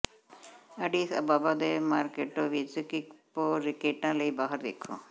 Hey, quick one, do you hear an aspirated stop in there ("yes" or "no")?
yes